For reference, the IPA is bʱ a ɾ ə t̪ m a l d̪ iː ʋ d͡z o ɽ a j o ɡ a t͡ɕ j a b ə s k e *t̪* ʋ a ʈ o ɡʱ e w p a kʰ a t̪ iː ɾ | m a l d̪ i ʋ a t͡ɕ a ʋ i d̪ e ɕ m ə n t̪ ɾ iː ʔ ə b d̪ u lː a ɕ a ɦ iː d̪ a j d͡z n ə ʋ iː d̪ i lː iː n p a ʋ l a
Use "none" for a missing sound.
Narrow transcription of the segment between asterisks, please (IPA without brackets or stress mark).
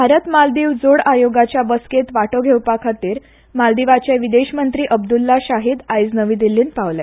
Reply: t̪